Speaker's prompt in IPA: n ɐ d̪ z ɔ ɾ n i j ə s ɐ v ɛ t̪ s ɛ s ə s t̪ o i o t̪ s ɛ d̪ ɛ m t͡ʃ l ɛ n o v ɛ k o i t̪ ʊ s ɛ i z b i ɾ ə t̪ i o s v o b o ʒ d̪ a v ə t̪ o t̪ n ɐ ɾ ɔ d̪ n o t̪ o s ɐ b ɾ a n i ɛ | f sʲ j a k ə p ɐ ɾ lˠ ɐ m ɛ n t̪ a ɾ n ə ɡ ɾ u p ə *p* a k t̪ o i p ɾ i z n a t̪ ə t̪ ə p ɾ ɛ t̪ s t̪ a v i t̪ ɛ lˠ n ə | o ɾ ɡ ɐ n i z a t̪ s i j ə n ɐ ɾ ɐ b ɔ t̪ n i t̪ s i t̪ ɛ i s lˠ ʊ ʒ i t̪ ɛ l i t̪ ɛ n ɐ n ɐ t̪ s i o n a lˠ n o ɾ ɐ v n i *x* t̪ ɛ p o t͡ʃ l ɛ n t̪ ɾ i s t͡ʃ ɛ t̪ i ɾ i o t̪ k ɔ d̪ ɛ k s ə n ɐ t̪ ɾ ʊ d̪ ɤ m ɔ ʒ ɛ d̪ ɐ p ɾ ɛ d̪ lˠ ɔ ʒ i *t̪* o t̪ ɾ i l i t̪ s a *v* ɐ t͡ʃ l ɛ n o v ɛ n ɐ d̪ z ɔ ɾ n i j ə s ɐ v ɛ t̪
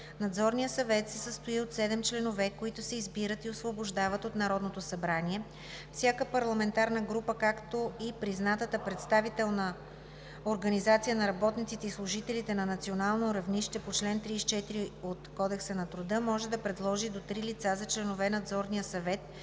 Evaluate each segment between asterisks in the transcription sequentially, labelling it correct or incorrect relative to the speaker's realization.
incorrect: k, incorrect: ʃ, incorrect: d̪, incorrect: z

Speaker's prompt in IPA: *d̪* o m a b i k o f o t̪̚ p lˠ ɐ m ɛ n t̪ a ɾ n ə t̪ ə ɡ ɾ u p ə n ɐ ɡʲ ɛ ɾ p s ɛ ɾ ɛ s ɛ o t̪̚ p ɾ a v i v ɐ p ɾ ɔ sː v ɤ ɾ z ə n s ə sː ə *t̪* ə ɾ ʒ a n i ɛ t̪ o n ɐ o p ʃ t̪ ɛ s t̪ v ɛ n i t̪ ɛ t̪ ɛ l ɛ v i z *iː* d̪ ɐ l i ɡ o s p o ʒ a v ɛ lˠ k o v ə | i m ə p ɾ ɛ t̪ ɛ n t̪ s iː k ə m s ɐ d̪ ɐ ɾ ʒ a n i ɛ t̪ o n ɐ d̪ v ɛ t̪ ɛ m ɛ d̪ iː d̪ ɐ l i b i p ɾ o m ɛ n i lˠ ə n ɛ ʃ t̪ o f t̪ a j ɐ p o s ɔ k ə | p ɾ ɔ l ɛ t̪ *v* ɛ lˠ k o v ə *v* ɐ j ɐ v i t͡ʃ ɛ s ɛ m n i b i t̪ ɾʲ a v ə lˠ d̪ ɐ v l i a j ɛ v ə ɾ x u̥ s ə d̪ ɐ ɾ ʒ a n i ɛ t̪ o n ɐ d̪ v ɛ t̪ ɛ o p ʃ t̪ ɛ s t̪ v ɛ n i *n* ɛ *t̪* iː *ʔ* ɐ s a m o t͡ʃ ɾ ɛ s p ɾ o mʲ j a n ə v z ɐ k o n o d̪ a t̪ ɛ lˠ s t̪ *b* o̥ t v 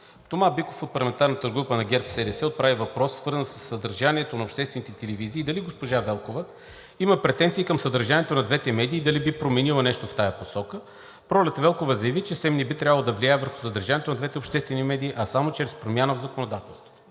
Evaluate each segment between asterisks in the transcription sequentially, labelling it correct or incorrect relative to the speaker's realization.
incorrect: t̪, incorrect: d̪, correct, correct, incorrect: z, incorrect: m, incorrect: d̪, correct, incorrect: v

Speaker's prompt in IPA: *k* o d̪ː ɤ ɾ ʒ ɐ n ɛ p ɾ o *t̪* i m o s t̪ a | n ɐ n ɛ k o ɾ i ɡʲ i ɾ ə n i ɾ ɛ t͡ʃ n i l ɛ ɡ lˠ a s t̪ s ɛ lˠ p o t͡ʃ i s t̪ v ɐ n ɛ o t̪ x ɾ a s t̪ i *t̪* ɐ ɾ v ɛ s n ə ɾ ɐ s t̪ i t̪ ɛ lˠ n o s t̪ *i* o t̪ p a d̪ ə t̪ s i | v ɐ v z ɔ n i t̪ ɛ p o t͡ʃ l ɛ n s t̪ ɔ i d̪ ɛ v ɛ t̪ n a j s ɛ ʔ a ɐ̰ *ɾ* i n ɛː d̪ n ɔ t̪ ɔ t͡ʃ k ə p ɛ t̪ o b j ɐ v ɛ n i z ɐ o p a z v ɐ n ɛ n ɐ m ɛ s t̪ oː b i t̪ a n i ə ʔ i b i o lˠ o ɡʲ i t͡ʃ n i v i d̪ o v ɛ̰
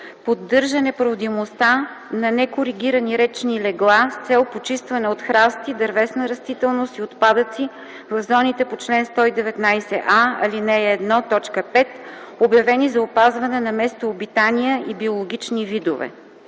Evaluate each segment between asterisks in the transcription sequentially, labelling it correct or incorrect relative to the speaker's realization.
incorrect: p, incorrect: d̪, incorrect: d̪, correct, incorrect: l

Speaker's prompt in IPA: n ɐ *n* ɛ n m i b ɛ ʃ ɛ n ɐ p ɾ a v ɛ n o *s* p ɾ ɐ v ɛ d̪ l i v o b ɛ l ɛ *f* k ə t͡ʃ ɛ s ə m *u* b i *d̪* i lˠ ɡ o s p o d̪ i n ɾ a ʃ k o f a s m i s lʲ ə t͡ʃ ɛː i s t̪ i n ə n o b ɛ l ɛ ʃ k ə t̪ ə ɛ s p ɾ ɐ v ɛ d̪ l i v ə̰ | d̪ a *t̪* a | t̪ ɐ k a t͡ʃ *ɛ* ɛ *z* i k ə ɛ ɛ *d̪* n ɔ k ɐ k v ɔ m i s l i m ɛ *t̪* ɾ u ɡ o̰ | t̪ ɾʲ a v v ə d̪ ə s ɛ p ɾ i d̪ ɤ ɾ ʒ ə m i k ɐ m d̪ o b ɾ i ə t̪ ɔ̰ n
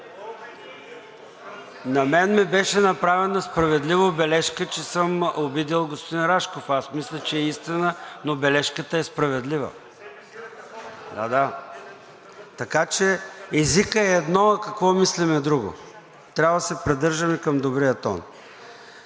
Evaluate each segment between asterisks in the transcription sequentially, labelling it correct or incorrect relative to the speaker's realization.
incorrect: m, correct, incorrect: ʃ, incorrect: o, correct, incorrect: d̪, correct, correct, correct, incorrect: d̪

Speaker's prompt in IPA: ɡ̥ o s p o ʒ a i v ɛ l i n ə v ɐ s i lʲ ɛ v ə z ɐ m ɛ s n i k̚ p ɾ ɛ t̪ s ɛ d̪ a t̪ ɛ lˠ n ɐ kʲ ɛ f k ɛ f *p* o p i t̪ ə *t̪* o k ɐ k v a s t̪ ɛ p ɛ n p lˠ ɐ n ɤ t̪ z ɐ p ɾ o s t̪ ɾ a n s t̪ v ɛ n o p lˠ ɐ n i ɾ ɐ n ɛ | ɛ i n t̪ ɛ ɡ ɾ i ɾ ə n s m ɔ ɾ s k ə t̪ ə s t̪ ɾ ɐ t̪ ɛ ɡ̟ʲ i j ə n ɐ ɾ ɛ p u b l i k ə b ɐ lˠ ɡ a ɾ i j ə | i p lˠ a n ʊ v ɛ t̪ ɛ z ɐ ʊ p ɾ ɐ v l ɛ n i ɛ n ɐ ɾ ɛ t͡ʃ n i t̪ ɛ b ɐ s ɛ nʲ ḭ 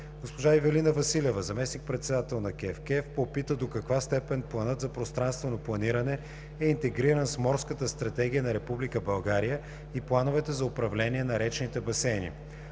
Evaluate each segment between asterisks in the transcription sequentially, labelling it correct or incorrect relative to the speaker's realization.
correct, incorrect: d̪

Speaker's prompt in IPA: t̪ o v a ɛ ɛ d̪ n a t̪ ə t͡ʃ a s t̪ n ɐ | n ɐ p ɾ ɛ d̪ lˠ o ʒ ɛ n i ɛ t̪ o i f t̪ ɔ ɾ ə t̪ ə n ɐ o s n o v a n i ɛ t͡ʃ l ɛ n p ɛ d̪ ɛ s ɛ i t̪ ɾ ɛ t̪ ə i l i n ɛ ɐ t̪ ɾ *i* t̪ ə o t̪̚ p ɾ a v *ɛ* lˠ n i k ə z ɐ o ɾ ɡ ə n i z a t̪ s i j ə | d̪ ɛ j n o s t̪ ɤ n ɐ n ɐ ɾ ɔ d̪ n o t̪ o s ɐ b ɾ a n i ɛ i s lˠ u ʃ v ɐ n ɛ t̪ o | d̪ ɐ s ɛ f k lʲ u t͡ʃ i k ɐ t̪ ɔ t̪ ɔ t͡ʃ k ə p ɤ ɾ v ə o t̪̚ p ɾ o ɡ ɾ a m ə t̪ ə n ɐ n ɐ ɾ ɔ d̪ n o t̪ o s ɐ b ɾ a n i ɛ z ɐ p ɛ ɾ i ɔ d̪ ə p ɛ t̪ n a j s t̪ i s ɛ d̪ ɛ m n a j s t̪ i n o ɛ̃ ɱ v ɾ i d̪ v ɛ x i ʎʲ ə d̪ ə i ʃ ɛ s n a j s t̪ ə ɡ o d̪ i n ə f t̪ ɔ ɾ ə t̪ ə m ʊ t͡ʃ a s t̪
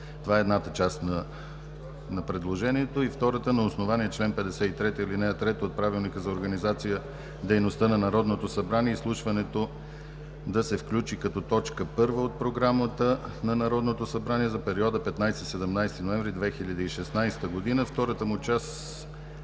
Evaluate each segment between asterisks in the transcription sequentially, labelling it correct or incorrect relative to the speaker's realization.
incorrect: ɛ, incorrect: i

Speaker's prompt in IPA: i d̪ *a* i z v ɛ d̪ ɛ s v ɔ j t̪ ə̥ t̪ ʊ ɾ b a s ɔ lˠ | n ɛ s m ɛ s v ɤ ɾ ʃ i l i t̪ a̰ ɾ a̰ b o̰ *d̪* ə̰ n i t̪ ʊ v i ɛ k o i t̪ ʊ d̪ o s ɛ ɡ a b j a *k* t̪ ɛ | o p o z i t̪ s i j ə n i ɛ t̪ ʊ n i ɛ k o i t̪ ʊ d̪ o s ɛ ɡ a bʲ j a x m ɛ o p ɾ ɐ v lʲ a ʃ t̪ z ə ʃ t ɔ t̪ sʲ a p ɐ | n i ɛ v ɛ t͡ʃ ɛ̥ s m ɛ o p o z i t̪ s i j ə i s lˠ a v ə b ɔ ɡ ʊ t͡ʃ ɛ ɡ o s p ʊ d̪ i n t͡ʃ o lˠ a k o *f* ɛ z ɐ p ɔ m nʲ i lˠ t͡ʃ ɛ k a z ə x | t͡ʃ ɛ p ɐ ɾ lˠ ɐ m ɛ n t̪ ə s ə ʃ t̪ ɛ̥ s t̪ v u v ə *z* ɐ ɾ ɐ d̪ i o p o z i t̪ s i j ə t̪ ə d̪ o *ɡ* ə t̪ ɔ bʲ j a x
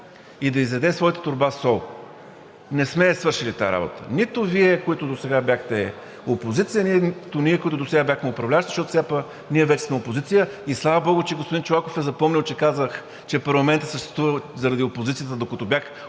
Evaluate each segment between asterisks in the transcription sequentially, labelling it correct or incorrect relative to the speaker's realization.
incorrect: ɐ, incorrect: t̪, incorrect: x, correct, correct, incorrect: k

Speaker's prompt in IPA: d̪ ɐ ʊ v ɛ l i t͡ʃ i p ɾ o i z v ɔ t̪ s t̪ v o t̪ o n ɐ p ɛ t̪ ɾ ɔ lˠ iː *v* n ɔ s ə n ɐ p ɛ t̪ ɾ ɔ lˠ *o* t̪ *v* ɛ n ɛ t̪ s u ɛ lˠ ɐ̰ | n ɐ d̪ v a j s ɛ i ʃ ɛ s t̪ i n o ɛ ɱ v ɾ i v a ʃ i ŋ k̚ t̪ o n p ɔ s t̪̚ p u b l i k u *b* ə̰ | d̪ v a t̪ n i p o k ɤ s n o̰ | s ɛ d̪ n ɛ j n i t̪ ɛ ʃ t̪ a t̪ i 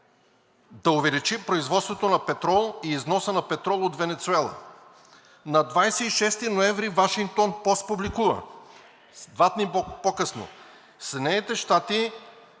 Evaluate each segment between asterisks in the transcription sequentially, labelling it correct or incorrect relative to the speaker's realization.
incorrect: z, correct, correct, incorrect: v

